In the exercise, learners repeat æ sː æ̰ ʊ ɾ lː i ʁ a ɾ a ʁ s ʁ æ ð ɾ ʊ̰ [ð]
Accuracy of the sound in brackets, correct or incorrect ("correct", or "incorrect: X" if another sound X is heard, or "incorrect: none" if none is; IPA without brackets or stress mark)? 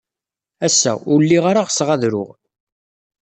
incorrect: ʁ